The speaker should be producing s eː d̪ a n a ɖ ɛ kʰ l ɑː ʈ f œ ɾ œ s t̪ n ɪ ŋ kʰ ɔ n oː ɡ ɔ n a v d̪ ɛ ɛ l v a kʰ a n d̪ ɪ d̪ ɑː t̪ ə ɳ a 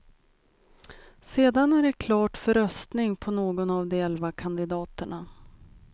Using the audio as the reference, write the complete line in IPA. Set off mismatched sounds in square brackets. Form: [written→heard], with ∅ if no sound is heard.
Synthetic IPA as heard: s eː d̪ a n [a→æ] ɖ ɛ kʰ l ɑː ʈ f œ ɾ œ s t̪ n ɪ ŋ [kʰ→pʰ] ɔ n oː ɡ ɔ n a v d̪ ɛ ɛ l v a kʰ a n d̪ ɪ d̪ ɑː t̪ ə ɳ a